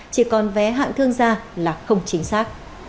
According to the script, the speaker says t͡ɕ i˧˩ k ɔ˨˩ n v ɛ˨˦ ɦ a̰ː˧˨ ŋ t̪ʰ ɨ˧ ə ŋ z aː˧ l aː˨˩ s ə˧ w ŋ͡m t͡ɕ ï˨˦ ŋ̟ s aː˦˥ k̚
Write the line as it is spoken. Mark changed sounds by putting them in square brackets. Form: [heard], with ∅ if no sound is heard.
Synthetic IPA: t͡ɕ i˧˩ k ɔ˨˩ n v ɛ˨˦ ɦ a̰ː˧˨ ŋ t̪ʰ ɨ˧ ə ŋ z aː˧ l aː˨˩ [x] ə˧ w ŋ͡m t͡ɕ ï˨˦ ŋ̟ s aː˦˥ k̚